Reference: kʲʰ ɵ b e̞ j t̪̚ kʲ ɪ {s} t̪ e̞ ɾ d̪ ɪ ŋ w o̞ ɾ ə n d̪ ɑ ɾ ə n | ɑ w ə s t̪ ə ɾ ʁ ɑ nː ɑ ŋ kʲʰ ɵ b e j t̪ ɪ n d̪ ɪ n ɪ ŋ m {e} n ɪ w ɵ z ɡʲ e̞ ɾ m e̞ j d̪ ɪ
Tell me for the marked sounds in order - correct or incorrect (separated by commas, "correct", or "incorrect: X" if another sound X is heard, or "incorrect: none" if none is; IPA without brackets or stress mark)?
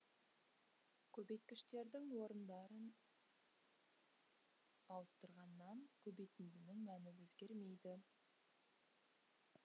incorrect: ʃ, incorrect: æ